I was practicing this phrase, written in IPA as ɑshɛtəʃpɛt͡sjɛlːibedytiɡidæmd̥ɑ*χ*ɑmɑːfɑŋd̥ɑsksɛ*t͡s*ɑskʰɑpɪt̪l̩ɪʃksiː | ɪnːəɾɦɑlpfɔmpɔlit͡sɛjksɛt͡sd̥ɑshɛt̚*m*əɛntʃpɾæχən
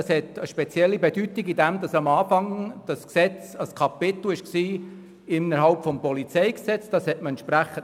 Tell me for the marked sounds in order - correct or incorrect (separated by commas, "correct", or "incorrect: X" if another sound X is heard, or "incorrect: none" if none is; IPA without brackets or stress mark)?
incorrect: s, correct, correct